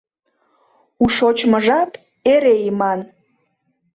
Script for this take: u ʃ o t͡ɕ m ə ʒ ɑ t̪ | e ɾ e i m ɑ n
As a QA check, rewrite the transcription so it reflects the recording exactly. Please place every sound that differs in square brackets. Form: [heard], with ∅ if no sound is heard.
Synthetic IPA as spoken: u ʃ o t͡ɕ m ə ʒ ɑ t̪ | e ɾ e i m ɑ n